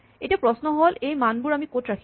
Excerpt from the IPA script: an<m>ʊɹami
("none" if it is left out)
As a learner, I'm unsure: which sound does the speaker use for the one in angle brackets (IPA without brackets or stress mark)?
b